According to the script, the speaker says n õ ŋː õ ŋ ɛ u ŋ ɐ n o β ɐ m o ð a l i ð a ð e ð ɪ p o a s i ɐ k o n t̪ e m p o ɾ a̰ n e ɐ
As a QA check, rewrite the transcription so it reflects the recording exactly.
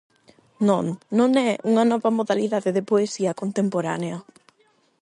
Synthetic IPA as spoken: n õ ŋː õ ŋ ɛ u ŋ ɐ n ɔ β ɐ m o ð a l i ð a ð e ð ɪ p o e s i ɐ k o n t̪ e m p o ɾ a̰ n e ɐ